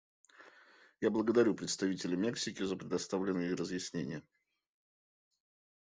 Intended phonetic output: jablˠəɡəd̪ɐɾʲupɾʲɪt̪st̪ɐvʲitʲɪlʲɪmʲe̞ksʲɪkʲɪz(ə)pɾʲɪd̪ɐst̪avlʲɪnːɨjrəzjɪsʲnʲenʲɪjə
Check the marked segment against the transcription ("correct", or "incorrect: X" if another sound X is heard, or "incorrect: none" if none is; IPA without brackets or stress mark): correct